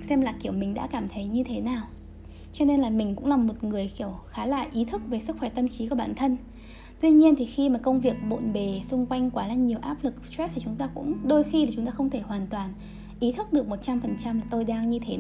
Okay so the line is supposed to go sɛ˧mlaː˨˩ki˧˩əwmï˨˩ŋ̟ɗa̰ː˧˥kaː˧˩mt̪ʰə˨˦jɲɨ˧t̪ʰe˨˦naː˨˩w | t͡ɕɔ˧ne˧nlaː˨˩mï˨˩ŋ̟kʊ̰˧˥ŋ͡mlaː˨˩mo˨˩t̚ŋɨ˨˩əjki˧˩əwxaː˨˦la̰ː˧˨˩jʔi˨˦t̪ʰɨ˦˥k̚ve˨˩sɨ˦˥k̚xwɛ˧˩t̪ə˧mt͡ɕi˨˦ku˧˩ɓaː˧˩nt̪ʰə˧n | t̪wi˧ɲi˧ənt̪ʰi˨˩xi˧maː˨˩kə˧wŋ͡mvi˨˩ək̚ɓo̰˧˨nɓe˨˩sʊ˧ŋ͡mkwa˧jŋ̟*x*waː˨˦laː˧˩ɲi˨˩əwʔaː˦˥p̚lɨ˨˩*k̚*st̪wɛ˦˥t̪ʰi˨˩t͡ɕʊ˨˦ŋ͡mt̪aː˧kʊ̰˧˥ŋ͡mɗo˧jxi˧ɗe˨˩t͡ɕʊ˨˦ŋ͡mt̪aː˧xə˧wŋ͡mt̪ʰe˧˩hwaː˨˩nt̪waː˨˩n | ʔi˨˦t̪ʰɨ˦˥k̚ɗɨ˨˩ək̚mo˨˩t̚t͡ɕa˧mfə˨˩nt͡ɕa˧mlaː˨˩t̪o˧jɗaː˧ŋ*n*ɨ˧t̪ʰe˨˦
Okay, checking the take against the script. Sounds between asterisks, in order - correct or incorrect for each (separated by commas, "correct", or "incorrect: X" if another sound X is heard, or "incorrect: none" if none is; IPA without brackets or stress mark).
incorrect: k, correct, incorrect: ɲ